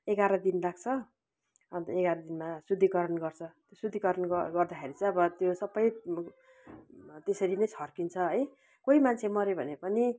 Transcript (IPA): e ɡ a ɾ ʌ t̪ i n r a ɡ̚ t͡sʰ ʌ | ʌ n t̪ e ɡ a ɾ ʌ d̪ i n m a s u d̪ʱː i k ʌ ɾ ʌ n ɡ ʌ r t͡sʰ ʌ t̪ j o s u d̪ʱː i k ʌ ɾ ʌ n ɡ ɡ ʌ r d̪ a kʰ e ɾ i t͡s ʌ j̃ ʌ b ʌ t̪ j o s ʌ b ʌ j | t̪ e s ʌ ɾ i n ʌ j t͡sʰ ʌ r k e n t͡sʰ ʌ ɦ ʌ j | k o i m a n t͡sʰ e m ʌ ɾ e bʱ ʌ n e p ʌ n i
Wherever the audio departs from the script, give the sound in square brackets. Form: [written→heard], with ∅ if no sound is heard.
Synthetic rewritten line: e ɡ a ɾ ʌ [t̪→d̪] i n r a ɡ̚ t͡sʰ ʌ | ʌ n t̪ e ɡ a ɾ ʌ d̪ i n m a s u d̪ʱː i k ʌ ɾ ʌ n ɡ ʌ r t͡sʰ ʌ t̪ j o s u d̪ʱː i k ʌ ɾ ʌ n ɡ ɡ ʌ r d̪ a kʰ e ɾ i t͡s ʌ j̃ ʌ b ʌ t̪ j o s ʌ b ʌ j | t̪ e s ʌ ɾ i n ʌ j t͡sʰ ʌ r k [e→i] n t͡sʰ ʌ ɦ ʌ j | k o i m a n t͡sʰ e m ʌ ɾ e bʱ ʌ n e p ʌ n i